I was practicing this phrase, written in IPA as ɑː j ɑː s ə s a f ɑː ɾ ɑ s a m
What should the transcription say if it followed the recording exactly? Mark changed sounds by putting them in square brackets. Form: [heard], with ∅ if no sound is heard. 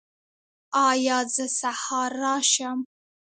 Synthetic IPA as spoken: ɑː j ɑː [z] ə s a [h] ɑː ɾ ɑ [ʃ] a m